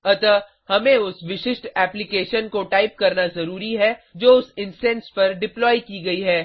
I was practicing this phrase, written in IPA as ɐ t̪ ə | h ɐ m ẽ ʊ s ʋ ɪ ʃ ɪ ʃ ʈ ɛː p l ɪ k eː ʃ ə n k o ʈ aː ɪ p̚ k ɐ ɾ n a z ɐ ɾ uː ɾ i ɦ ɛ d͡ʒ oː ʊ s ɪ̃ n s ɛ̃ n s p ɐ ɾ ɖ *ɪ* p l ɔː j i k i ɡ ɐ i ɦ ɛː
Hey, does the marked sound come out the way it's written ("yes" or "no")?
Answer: yes